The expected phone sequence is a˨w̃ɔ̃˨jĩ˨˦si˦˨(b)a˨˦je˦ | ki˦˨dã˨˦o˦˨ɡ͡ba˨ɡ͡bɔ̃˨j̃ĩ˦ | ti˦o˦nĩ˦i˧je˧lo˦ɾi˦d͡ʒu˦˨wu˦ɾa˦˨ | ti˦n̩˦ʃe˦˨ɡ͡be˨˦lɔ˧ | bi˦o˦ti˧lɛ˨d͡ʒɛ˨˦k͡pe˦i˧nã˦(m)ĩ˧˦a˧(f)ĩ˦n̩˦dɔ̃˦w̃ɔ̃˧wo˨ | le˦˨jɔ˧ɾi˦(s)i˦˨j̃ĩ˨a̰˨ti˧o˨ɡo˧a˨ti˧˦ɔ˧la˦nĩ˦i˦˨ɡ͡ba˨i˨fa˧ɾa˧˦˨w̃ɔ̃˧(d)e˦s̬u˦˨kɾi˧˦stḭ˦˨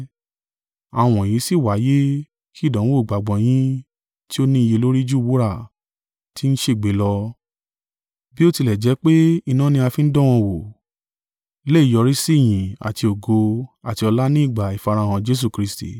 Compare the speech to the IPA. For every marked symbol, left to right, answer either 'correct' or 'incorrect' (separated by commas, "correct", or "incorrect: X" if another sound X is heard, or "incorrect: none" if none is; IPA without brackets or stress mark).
incorrect: w, incorrect: n, correct, correct, incorrect: d͡ʒ